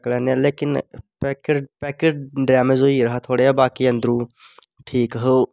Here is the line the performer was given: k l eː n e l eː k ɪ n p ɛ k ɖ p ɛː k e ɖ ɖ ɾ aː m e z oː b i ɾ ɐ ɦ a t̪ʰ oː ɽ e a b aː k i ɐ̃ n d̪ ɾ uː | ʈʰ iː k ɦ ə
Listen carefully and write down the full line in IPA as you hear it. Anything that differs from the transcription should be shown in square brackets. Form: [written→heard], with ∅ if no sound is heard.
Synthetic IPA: k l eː n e l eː k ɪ n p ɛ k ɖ p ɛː k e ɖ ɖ ɾ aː m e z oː [b→∅] i ɾ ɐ ɦ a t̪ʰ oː ɽ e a b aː k i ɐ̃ n d̪ ɾ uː | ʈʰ iː k ɦ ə